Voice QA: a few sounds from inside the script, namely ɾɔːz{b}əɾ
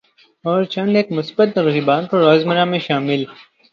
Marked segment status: incorrect: m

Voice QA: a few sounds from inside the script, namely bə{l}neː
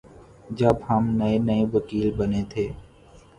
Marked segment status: incorrect: none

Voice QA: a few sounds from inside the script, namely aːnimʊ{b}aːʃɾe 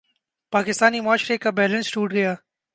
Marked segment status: incorrect: none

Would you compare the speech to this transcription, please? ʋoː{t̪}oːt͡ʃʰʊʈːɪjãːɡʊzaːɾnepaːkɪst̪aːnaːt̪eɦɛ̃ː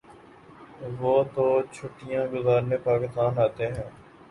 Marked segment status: correct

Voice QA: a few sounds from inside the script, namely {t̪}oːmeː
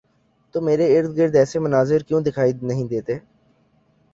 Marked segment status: correct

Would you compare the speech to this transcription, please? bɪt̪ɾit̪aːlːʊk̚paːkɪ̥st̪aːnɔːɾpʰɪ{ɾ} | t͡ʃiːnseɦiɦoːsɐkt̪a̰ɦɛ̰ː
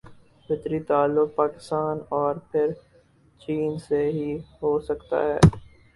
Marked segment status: correct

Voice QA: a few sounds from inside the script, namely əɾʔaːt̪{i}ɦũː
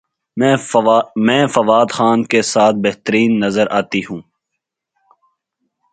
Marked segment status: correct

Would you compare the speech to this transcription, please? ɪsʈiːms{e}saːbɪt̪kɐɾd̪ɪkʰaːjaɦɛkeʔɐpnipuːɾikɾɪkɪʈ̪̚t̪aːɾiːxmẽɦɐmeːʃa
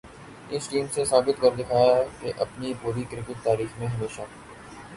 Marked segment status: correct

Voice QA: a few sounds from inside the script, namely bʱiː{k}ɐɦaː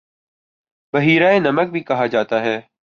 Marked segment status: correct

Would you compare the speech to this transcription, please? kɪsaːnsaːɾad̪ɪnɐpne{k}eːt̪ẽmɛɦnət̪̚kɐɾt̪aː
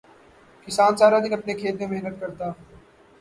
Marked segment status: incorrect: kʰ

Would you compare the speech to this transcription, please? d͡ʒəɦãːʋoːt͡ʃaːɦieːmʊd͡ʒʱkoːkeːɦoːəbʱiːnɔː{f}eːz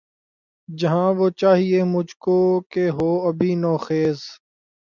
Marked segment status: incorrect: x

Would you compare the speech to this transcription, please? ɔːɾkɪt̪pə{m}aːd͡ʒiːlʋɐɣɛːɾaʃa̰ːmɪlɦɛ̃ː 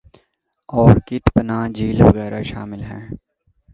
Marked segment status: incorrect: n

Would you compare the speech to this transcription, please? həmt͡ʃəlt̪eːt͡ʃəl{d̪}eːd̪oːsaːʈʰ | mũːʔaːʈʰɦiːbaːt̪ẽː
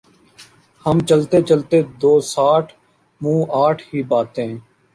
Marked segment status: incorrect: t̪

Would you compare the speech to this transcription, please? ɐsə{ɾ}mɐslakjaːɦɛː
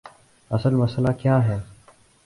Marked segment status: incorrect: l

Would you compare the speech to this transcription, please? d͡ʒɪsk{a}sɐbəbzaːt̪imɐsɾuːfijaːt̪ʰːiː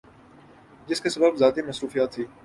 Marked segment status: incorrect: e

